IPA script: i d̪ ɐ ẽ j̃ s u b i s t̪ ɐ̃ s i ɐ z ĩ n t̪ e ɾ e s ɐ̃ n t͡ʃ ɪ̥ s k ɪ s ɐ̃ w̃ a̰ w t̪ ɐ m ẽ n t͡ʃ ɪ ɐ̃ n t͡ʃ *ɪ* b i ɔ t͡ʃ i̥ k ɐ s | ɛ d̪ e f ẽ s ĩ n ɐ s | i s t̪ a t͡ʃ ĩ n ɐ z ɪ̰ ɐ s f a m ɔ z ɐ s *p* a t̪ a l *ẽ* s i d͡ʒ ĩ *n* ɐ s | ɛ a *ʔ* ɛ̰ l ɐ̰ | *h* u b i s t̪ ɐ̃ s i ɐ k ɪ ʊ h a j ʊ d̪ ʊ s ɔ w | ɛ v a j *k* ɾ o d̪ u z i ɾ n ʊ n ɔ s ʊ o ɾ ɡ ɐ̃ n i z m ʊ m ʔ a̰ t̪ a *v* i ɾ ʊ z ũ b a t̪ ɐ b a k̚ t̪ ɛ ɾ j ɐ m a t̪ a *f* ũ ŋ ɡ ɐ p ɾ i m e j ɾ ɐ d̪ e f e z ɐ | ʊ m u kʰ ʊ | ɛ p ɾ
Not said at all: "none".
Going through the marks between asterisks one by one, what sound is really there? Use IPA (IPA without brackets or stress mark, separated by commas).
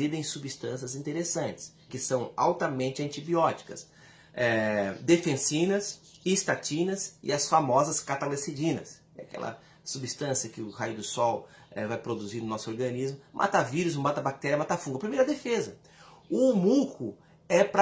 i, k, e, n, k, s, p, v, f